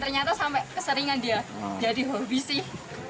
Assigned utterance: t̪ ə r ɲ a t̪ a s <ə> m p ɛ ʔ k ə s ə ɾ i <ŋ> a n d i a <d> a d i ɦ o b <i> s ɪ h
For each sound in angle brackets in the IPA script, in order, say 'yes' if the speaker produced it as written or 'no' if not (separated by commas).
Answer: no, yes, no, yes